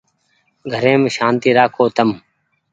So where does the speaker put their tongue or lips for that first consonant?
velum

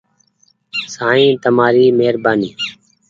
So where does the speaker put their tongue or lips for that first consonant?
tongue tip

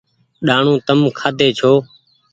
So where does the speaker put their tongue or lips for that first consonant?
tongue tip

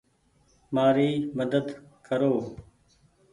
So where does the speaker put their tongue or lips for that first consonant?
lips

